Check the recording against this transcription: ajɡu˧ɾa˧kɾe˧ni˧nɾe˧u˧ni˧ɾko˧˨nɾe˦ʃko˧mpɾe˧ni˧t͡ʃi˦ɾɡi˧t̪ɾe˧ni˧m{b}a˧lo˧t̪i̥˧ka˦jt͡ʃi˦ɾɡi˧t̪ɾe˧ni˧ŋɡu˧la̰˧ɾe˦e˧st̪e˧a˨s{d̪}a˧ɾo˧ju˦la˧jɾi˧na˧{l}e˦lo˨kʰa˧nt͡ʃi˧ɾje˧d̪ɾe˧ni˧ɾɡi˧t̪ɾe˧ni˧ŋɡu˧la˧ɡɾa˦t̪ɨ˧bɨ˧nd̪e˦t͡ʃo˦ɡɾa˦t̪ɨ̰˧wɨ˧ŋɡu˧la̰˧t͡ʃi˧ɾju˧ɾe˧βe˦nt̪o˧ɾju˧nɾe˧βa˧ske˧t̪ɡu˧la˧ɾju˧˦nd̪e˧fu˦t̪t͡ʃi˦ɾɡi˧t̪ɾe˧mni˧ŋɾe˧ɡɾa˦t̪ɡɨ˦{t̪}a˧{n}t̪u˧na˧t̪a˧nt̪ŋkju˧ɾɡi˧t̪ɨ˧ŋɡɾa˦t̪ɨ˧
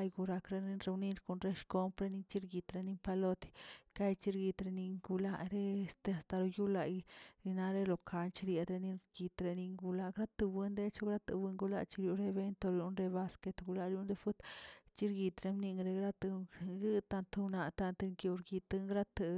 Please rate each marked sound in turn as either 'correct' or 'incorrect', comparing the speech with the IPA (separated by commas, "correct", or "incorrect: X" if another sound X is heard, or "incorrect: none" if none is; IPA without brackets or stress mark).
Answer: incorrect: p, incorrect: t̪, incorrect: ɾ, correct, correct